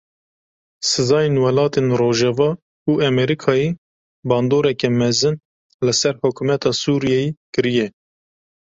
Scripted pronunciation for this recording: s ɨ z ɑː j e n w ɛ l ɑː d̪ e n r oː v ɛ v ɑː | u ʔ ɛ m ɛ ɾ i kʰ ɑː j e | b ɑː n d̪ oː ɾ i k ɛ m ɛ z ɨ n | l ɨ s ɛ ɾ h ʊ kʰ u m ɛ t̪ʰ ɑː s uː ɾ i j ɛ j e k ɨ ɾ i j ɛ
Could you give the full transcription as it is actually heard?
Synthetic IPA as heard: s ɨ z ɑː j e n w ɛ l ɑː t̪ e n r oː ʒ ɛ v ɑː | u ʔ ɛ m ɛ ɾ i kʰ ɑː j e | b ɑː n d̪ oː ɾ ɛ k ɛ m ɛ z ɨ n | l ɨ s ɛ ɾ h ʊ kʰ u m ɛ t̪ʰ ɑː s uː ɾ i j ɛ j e k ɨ ɾ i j ɛ